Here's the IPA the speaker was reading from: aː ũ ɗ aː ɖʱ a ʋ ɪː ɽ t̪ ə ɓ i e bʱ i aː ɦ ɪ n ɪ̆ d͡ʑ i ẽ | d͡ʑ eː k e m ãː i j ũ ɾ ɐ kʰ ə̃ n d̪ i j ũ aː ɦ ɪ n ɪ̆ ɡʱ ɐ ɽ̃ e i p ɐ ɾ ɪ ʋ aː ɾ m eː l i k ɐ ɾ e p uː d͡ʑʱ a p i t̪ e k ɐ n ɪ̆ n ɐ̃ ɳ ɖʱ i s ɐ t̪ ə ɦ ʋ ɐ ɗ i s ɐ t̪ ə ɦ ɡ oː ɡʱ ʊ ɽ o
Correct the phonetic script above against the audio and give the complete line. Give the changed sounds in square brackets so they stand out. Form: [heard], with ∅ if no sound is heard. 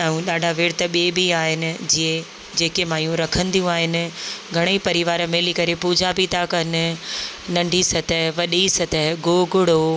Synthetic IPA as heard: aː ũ ɗ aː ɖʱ a ʋ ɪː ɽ t̪ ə ɓ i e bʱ i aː ɦ ɪ n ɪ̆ d͡ʑ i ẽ | d͡ʑ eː k e m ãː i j ũ ɾ ɐ kʰ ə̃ n d̪ i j ũ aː ɦ ɪ n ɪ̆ ɡʱ ɐ ɽ̃ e i p ɐ ɾ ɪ ʋ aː ɾ m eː l i k ɐ ɾ e p uː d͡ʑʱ a p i t̪ [a] k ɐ n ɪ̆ n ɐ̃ ɳ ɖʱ i s ɐ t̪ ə ɦ ʋ ɐ ɗ i s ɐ t̪ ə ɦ ɡ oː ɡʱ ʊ ɽ o